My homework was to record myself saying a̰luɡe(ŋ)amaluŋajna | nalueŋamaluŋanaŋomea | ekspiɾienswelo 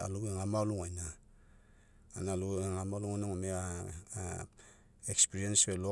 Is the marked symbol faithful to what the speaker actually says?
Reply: yes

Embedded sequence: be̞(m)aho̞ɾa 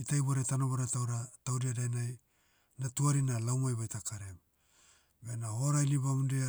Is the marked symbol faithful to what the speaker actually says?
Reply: no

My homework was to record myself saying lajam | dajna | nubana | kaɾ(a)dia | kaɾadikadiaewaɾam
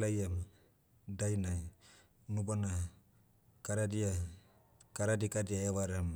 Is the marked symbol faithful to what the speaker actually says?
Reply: yes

